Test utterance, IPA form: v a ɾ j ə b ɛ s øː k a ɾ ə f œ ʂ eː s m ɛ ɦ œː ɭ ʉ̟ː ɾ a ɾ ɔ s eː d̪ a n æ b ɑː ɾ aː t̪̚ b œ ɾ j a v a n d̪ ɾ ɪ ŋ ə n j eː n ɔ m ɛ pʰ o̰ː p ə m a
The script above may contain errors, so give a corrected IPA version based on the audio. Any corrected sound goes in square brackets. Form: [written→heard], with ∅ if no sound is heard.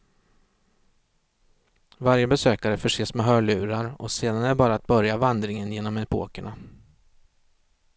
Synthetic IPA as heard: v a ɾ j ə b ɛ s øː k a ɾ ə f œ ʂ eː s m ɛ ɦ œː ɭ ʉ̟ː ɾ a ɾ ɔ s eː d̪ a n æ b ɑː ɾ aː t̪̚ b œ ɾ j a v a n d̪ ɾ ɪ ŋ ə n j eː n ɔ m ɛ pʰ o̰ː [p→k] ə [m→ɳ] a